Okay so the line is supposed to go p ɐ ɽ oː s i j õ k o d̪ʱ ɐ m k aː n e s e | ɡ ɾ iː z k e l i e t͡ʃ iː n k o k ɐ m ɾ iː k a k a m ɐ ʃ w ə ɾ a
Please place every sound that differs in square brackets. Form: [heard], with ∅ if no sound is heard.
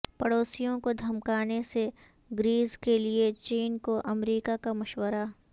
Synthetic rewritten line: p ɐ ɽ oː s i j õ k o d̪ʱ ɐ m k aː n e s e | ɡ ɾ iː z k e l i e t͡ʃ iː n k o [ʔ] ɐ m ɾ iː k a k a m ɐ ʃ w ə ɾ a